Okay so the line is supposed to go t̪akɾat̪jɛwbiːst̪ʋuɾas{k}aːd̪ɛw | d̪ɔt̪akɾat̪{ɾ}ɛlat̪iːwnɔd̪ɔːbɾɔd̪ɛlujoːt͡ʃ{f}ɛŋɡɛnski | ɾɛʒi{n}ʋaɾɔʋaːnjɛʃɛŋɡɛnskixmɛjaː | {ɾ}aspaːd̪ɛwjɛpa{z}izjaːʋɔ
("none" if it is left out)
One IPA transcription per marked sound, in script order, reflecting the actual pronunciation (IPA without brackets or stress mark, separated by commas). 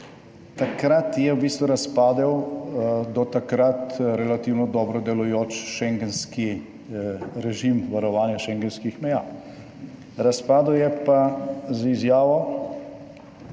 p, ɾ, ʃ, m, ɾ, z